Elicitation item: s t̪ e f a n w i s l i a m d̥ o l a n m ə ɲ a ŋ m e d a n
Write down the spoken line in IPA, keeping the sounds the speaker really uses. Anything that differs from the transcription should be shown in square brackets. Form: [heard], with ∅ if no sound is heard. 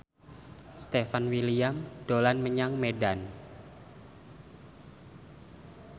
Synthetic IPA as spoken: s t̪ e f a n w i [∅] l i a m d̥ o l a n m ə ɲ a ŋ m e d a n